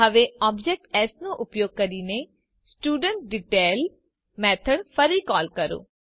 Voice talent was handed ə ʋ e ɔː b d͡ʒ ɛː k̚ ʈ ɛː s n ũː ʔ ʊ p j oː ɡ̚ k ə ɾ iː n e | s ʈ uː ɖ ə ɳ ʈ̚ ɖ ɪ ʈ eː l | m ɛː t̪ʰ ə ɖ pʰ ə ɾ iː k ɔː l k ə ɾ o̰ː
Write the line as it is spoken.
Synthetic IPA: ə ʋ e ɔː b d͡ʒ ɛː k̚ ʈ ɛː s n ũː ʔ ʊ p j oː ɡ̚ k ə ɾ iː n e | s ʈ uː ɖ ə ɳ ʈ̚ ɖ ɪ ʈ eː l | m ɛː t̪ʰ ə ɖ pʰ ə ɾ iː k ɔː l k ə ɾ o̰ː